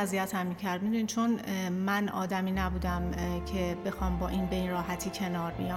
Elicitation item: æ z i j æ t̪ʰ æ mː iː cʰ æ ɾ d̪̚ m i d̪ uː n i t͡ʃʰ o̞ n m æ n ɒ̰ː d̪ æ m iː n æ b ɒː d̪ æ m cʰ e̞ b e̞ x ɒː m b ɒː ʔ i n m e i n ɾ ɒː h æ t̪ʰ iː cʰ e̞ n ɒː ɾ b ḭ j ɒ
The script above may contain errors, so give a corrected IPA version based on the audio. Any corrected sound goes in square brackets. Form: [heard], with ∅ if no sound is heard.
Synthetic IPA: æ z i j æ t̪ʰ æ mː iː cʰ æ ɾ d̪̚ m i d̪ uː n i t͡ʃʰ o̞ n m æ n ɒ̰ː d̪ æ m iː n æ b [uː] d̪ æ m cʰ e̞ b e̞ x ɒː m b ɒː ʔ i n [b] e i n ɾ ɒː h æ t̪ʰ iː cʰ e̞ n ɒː ɾ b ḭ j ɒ